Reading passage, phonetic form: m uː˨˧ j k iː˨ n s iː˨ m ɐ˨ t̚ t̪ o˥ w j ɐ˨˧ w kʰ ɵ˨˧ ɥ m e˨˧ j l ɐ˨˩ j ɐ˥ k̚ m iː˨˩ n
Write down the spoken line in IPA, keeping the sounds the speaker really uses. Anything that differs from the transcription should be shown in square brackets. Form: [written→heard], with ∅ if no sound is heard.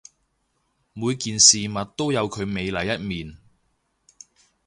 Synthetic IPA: m uː˨˧ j k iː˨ n s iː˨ m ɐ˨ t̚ t̪ o˥ w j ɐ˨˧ w kʰ ɵ˨˧ ɥ m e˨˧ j l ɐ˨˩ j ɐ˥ [k̚→t̚] m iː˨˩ n